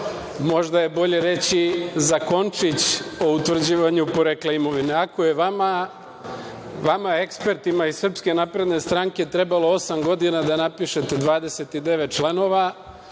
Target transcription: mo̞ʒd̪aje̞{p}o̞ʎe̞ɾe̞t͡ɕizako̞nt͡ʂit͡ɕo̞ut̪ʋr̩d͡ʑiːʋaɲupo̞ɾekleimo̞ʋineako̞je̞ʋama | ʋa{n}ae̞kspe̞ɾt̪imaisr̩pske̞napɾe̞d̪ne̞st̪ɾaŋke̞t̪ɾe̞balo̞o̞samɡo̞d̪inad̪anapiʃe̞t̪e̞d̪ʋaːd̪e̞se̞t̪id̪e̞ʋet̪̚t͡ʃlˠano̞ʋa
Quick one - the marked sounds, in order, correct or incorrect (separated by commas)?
incorrect, incorrect